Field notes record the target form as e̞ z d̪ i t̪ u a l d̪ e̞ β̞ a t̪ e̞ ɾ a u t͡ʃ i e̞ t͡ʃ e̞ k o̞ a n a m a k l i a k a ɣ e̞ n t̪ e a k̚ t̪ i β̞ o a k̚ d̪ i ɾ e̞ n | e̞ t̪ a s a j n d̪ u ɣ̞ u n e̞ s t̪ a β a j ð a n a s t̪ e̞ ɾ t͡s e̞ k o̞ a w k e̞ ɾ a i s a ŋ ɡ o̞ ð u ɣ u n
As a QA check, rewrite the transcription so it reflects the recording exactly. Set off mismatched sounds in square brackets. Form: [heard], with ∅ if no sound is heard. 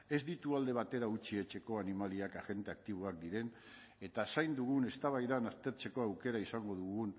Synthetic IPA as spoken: e̞ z d̪ i t̪ u a l d̪ e̞ β̞ a t̪ e̞ ɾ a u t͡ʃ i e̞ t͡ʃ e̞ k o̞ a n [i] m a [∅] l i a k a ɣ e̞ n t̪ e a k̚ t̪ i β̞ o a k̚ d̪ i ɾ e̞ n | e̞ t̪ a s a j n d̪ u ɣ̞ u n e̞ s t̪ a β a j ð a n a s t̪ e̞ ɾ t͡s e̞ k o̞ a w k e̞ ɾ a i s a ŋ ɡ o̞ ð u ɣ u n